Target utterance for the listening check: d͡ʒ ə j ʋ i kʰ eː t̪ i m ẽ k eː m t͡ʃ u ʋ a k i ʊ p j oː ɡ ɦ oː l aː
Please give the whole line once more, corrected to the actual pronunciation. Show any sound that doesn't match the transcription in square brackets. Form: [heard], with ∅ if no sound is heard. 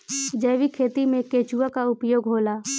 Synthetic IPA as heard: d͡ʒ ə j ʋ i kʰ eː t̪ i m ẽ k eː [∅] t͡ʃ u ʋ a k [a] ʊ p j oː ɡ ɦ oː l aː